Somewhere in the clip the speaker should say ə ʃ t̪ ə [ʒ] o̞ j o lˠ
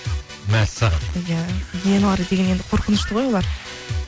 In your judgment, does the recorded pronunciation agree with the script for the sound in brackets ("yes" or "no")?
no